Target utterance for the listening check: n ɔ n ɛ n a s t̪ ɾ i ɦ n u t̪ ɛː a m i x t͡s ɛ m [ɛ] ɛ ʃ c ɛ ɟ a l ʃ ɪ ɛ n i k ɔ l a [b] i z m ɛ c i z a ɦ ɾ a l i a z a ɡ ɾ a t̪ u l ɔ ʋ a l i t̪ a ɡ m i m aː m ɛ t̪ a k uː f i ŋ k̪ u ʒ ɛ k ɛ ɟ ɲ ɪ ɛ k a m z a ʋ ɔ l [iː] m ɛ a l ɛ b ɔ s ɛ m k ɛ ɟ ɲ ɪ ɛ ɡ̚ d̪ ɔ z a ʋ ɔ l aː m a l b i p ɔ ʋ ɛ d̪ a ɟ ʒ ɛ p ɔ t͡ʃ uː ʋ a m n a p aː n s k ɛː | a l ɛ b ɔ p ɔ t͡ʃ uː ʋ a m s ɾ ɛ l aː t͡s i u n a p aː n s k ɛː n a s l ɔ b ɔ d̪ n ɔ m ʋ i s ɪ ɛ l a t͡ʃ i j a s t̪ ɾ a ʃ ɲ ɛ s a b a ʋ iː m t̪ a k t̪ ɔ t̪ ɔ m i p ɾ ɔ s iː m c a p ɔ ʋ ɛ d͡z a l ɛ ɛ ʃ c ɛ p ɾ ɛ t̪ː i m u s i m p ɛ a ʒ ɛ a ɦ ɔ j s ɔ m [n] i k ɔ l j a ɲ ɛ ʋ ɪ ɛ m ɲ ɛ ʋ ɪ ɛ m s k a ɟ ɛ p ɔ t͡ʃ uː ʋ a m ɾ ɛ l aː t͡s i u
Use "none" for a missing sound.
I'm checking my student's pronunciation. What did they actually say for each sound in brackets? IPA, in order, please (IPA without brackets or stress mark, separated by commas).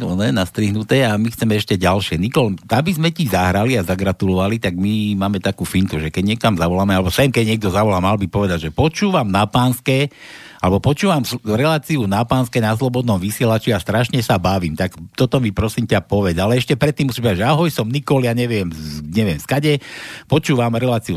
ɛ, b, aː, n